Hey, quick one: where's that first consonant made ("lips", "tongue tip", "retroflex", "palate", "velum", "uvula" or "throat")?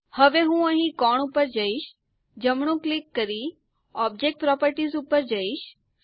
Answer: throat